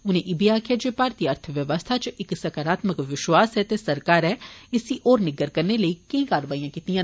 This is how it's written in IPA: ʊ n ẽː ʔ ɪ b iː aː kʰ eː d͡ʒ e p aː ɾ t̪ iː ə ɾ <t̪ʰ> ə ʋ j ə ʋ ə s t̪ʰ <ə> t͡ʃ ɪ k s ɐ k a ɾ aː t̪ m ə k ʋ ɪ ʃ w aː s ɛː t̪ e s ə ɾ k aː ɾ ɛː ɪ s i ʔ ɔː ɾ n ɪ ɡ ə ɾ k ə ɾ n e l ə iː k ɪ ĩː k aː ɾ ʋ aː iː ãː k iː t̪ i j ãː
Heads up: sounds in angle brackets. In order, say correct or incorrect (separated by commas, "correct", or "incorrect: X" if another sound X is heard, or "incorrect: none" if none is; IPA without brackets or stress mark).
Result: correct, incorrect: a